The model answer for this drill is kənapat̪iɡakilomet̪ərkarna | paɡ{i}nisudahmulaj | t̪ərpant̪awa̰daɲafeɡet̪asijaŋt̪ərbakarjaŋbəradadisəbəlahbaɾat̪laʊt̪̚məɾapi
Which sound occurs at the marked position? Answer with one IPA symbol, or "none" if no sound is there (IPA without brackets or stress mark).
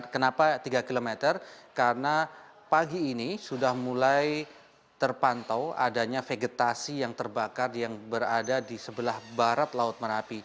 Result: iː